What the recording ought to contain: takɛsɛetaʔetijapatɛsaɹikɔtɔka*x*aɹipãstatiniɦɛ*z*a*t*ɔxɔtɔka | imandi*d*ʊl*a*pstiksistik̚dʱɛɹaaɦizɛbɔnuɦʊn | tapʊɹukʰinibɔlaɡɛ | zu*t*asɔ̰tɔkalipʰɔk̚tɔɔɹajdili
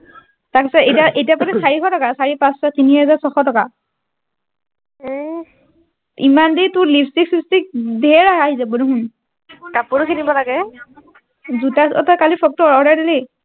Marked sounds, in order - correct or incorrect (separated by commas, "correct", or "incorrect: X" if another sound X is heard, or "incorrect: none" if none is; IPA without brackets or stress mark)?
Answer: incorrect: s, correct, incorrect: s, incorrect: t, incorrect: i, correct